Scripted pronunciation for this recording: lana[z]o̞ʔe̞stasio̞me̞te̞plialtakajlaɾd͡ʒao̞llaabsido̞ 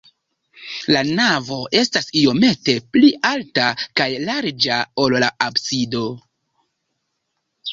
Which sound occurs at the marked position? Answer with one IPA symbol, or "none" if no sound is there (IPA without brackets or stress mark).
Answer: v